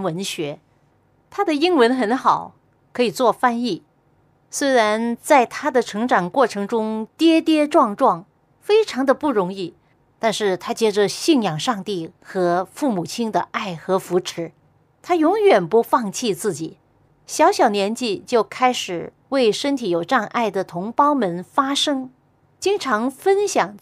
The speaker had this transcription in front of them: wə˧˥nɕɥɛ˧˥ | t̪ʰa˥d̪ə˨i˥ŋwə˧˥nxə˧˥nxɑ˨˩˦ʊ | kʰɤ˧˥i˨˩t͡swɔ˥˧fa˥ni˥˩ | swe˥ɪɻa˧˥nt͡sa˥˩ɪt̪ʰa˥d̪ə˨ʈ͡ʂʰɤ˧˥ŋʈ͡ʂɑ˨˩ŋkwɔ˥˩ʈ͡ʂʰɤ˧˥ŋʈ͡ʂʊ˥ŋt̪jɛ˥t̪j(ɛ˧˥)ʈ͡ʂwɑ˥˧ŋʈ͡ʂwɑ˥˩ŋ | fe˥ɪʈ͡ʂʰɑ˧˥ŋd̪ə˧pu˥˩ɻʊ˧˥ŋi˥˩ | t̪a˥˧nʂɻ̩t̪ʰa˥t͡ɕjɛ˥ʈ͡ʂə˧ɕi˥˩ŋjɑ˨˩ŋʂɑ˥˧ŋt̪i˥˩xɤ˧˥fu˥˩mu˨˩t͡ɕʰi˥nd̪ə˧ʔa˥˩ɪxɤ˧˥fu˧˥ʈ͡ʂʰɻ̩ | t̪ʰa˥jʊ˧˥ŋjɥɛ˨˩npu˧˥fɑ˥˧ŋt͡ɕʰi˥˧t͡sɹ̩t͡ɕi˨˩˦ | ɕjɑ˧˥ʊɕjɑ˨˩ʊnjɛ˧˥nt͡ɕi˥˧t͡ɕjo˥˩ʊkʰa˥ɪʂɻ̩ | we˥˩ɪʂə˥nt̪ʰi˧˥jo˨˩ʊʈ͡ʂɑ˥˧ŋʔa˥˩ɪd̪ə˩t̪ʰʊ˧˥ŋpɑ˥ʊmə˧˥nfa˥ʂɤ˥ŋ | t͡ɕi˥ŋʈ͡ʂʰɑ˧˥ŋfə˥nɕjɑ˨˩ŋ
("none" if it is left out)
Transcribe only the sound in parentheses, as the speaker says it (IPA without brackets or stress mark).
ɛ˥